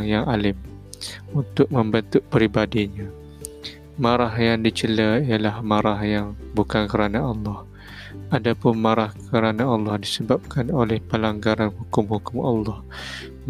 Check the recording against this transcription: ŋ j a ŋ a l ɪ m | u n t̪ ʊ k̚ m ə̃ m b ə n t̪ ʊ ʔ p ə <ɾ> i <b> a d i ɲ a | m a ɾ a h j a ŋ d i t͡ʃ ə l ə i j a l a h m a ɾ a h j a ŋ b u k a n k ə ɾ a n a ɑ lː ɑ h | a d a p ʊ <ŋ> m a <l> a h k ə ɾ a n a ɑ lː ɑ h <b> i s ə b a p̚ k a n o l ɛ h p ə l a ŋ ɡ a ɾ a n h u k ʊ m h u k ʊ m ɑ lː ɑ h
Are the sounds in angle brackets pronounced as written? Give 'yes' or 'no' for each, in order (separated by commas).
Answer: yes, yes, no, no, no